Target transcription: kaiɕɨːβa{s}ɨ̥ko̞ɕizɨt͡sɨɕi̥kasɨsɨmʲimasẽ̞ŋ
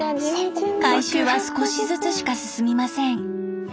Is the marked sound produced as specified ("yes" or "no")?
yes